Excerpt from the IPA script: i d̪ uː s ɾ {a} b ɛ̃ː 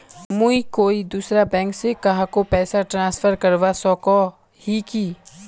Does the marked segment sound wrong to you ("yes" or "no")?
no